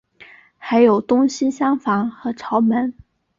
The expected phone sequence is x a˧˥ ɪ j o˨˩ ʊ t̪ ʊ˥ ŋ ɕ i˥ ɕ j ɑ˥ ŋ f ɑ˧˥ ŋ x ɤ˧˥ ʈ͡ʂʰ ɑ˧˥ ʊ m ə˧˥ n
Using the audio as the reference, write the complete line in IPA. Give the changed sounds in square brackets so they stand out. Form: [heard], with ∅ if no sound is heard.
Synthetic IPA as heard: x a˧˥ ɪ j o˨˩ ʊ t̪ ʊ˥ ŋ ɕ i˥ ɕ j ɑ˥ ŋ f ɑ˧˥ ŋ x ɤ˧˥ ʈ͡ʂʰ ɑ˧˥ ʊ m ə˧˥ n